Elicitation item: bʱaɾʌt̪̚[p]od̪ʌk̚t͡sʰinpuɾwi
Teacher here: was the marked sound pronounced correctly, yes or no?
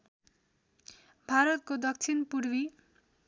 no